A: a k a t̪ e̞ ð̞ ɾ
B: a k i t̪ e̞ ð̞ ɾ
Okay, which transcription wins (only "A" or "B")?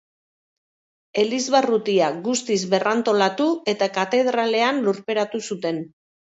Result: A